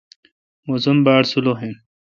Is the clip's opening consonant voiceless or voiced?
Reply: voiced